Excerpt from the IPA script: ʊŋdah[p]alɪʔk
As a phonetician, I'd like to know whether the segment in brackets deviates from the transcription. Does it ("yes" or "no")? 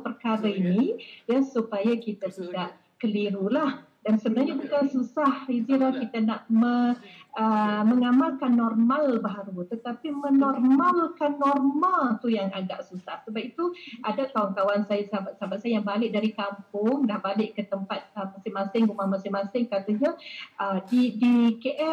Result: yes